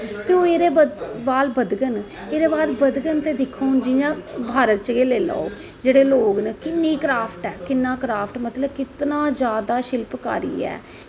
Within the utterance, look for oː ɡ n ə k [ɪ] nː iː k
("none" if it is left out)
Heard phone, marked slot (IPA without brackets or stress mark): ɪ